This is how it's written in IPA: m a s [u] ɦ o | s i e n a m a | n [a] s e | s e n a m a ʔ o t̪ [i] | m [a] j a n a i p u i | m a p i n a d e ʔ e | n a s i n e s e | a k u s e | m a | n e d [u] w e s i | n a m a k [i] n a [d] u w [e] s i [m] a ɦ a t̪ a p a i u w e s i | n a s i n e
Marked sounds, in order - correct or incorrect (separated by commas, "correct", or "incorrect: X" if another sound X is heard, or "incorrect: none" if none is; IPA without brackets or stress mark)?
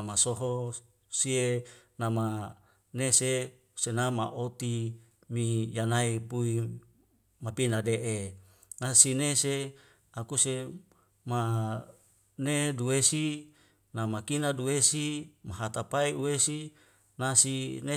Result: incorrect: o, incorrect: e, correct, incorrect: i, correct, correct, correct, correct, correct